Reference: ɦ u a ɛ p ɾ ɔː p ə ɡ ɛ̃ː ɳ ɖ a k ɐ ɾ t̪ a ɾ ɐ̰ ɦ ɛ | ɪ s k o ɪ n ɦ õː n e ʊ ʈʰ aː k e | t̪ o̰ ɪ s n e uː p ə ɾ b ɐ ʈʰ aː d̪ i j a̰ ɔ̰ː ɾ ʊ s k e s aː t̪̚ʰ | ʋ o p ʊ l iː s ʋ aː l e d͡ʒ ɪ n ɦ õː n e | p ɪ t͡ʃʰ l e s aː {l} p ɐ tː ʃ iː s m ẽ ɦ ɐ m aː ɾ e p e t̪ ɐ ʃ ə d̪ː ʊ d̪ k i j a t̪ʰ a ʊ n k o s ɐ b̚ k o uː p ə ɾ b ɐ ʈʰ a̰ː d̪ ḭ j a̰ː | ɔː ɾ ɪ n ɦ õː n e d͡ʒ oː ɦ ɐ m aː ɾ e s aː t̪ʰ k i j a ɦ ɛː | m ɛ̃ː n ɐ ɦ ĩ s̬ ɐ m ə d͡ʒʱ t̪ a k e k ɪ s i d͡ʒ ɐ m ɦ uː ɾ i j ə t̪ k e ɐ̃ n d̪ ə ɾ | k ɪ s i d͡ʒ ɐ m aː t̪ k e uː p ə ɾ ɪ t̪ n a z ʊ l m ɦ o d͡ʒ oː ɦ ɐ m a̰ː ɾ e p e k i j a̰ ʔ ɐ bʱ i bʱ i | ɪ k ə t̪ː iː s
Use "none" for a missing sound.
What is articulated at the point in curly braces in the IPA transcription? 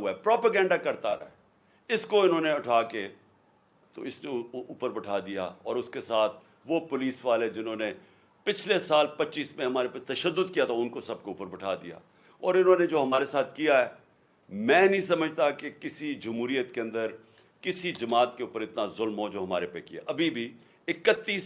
l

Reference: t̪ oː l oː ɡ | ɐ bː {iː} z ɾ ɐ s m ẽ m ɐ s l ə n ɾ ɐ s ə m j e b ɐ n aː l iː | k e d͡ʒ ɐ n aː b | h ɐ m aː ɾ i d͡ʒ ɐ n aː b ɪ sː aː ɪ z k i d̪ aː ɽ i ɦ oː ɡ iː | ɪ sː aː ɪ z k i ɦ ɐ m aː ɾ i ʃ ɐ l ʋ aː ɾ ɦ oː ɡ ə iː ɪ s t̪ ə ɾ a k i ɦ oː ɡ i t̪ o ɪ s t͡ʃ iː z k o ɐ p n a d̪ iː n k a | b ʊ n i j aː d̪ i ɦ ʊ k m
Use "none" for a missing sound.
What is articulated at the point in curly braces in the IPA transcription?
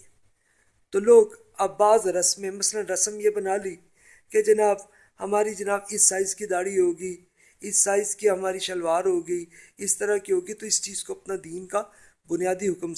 aː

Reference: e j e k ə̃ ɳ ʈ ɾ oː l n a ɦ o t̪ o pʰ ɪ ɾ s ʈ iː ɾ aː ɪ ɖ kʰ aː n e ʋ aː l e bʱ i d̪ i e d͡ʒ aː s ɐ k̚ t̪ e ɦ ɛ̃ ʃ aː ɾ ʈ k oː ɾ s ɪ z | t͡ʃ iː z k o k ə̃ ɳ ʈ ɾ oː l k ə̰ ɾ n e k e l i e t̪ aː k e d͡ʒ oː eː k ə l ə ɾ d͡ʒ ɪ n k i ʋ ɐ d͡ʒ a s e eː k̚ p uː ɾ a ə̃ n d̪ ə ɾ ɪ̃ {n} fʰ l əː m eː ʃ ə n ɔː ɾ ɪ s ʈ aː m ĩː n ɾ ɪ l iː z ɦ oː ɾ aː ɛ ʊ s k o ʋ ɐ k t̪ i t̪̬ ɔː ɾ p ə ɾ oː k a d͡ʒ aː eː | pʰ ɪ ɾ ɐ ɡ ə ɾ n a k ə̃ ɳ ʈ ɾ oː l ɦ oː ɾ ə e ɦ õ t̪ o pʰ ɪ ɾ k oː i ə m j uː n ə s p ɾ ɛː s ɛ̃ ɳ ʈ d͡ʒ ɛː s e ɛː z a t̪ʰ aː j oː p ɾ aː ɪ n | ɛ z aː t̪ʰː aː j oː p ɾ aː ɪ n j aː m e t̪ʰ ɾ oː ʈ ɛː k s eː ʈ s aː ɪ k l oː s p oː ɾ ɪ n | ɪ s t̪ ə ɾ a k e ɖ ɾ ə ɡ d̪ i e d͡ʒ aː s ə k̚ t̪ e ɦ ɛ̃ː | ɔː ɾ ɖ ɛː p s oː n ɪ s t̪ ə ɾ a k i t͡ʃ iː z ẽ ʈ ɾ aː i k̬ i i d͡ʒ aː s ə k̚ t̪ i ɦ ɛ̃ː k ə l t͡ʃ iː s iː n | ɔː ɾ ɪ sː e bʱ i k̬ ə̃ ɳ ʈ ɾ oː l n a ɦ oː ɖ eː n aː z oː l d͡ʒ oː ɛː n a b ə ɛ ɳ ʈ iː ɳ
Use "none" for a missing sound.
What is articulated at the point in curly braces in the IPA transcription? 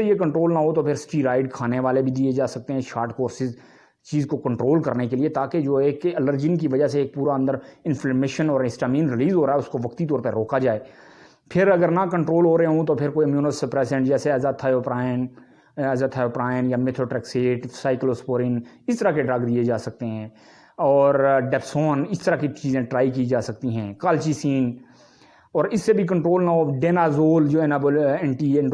n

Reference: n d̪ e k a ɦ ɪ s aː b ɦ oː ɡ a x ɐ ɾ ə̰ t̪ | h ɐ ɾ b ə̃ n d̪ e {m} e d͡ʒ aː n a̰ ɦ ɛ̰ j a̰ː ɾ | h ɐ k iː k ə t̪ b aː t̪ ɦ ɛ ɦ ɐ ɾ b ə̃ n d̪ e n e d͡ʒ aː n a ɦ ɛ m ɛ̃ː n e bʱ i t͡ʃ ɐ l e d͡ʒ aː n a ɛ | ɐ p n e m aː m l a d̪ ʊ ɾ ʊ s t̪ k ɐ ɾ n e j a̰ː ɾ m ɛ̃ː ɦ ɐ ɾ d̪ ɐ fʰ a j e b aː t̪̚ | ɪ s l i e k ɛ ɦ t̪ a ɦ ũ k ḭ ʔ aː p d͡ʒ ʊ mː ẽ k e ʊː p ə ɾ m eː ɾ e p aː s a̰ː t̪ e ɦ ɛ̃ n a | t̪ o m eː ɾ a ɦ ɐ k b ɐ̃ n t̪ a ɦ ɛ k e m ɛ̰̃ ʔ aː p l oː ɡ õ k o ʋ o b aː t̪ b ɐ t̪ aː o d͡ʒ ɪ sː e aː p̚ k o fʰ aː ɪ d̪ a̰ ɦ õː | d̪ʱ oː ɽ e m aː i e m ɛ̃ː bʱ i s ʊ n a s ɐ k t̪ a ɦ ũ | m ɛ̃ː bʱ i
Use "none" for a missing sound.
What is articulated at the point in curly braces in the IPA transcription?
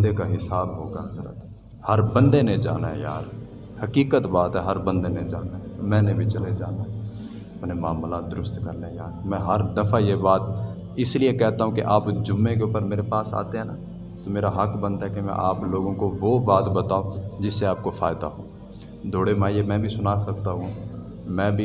n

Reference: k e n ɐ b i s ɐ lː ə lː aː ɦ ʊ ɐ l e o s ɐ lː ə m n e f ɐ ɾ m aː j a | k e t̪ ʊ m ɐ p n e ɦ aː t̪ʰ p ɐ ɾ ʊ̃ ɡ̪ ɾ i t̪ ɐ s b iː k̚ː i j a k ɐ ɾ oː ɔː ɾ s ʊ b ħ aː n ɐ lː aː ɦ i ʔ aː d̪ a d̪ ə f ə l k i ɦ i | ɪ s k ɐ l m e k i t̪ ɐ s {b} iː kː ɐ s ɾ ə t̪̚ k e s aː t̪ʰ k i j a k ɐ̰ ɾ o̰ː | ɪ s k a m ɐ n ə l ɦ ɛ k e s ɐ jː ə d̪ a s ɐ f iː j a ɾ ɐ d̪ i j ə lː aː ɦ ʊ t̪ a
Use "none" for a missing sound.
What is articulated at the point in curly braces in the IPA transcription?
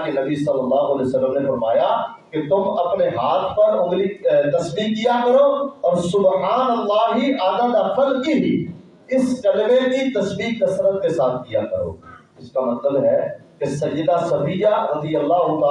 b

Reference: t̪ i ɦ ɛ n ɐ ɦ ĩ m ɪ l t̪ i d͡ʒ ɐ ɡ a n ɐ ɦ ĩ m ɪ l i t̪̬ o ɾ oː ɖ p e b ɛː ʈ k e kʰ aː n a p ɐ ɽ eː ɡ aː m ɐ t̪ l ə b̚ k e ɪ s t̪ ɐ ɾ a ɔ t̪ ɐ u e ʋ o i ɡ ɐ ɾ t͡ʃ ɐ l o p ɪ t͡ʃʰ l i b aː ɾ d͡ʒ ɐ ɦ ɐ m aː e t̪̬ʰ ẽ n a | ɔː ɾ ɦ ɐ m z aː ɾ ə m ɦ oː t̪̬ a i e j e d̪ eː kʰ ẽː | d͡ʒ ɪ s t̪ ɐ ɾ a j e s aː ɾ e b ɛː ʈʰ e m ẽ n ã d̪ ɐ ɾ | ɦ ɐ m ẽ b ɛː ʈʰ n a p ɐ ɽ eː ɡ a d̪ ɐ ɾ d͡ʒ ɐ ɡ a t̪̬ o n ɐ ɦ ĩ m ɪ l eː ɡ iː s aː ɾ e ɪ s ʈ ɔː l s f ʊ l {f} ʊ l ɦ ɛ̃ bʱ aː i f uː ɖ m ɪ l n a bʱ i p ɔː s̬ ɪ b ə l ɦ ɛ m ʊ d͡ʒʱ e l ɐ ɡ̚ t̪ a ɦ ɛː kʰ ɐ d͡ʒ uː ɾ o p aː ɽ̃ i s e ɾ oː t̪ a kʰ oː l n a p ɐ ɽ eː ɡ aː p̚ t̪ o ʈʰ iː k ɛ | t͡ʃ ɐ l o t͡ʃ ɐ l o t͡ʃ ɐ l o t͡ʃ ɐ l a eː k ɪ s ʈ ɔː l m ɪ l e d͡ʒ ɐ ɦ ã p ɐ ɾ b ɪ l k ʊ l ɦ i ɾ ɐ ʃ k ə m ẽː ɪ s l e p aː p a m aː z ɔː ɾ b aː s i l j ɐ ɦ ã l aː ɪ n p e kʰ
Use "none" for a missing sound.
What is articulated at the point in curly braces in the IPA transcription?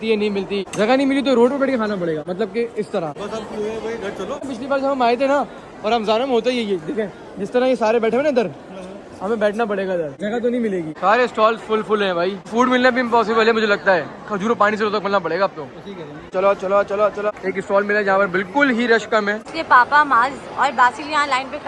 f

